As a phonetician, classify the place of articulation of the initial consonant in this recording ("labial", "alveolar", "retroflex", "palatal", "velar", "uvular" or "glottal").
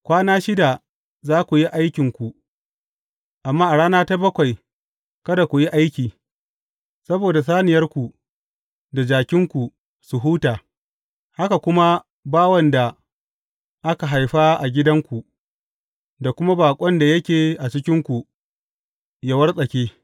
velar